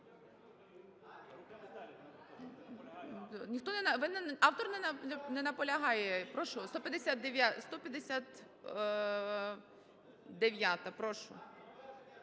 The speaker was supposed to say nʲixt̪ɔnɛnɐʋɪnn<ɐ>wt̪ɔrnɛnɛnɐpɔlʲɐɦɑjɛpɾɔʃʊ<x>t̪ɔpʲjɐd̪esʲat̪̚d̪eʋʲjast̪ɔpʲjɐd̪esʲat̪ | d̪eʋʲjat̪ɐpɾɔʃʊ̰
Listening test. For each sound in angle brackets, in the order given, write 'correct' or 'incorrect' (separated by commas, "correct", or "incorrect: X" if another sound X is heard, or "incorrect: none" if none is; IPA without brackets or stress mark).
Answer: incorrect: ɑ, incorrect: s